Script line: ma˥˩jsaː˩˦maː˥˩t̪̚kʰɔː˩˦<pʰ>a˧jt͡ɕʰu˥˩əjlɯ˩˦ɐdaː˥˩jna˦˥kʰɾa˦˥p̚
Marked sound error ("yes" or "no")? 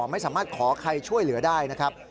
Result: yes